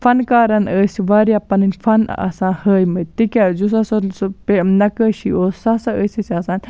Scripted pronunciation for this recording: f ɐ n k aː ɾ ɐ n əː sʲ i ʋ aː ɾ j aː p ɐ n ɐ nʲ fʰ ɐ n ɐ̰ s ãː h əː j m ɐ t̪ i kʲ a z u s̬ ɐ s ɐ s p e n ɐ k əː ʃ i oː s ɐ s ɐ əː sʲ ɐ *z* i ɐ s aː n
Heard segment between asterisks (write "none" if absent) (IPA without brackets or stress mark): s